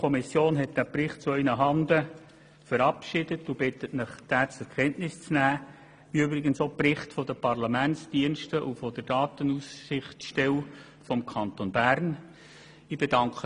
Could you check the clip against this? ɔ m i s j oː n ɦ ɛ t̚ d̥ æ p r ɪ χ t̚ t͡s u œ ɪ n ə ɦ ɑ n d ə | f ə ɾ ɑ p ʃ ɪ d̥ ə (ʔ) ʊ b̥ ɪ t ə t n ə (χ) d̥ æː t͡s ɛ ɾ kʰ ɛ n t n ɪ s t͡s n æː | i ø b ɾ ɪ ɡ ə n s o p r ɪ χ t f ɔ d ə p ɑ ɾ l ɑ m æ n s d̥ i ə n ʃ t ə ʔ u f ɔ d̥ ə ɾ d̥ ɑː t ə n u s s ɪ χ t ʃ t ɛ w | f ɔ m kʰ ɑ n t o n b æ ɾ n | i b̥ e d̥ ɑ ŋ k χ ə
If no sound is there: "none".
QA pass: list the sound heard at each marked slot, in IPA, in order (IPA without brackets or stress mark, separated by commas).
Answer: t, χ